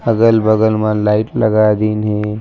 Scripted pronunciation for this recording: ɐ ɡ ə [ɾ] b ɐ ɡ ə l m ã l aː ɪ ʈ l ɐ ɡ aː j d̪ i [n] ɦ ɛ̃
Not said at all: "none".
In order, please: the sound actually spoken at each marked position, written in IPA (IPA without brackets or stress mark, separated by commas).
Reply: l, n